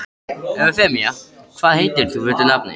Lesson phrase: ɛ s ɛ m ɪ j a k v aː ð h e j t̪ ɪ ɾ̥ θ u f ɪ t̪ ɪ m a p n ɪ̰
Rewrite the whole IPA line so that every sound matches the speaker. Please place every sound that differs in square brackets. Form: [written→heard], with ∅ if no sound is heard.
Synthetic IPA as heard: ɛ [s→f] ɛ m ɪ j a [k→kʰ] v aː ð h e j t̪ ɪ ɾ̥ θ u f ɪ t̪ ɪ [m→n] a p n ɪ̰